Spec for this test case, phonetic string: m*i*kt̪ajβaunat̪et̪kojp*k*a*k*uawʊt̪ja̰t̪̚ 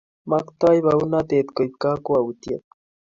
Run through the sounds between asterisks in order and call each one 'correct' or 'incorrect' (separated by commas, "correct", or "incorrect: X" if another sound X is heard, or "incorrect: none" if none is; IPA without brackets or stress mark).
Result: incorrect: a, correct, correct